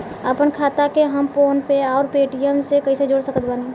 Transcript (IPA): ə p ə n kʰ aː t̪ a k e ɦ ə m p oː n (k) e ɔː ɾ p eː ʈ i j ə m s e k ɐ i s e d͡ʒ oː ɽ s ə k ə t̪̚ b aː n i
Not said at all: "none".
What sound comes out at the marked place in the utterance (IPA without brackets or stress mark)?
p